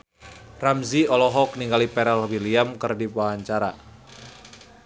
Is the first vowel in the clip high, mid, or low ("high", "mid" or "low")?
low